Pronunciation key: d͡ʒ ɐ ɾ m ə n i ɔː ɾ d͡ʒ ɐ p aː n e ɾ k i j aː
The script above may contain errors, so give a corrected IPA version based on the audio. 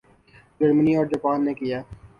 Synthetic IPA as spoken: d͡ʒ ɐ ɾ m ə n i ɔː ɾ d͡ʒ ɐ p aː nː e k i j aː